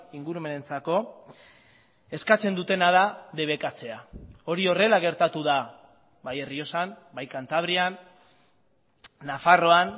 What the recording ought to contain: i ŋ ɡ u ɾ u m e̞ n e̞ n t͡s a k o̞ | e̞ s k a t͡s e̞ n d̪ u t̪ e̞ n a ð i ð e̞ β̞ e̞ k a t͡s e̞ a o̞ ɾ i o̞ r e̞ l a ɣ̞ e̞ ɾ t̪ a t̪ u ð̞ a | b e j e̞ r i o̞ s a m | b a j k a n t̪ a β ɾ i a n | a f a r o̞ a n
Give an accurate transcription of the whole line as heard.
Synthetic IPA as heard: i ŋ ɡ u ɾ u m e̞ n e̞ n t͡s a k o̞ | e̞ s k a t͡s e̞ n d̪ u t̪ e̞ n a ð a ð e̞ β̞ e̞ k a t͡s e̞ a o̞ ɾ i o̞ r e̞ l a ɣ̞ e̞ ɾ t̪ a t̪ u ð̞ a | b a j e̞ r i o̞ s a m | b a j k a n t̪ a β ɾ i a n | a f a r o̞ a n

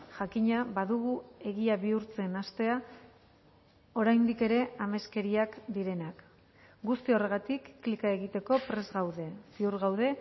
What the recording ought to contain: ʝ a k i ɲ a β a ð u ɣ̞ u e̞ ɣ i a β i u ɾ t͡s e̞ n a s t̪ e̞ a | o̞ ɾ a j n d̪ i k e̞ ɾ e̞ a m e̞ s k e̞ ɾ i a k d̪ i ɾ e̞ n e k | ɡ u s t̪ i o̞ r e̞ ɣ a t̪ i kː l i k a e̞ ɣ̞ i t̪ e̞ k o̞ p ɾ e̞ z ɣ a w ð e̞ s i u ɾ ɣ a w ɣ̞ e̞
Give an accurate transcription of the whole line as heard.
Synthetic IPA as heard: ʝ a k i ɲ a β a ð u ɣ̞ u e̞ ɣ i a β i u ɾ t͡s e̞ n a s t̪ e̞ a | o̞ ɾ a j n d̪ i k e̞ ɾ e̞ a m e̞ s k e̞ ɾ i a k d̪ i ɾ e̞ n a k | ɡ u s t̪ i o̞ r e̞ ɣ a t̪ i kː l i k a e̞ ɣ̞ i t̪ e̞ k o̞ p ɾ e̞ z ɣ a w ð e̞ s i u ɾ ɣ a w ð̞ e̞

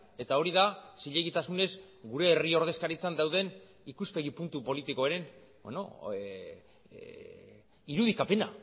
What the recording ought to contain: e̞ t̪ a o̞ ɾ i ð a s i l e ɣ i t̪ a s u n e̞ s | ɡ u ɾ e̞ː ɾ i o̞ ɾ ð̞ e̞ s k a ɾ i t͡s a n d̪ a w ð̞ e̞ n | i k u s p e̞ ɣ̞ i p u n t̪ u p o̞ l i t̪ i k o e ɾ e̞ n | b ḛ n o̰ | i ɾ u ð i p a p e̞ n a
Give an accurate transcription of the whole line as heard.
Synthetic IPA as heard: e̞ t̪ a o̞ ɾ i ð a s i ʎ e ɣ i t̪ a s u n e̞ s | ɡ u ɾ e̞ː r i o̞ ɾ ð̞ e̞ s k a ɾ i t͡s a n d̪ a w ð̞ e̞ n | i k u s p e̞ ɣ̞ i p u n t̪ u p o̞ l i t̪ i k o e ɾ e̞ n | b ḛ n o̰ | i ɾ u ð i k a p e̞ n a

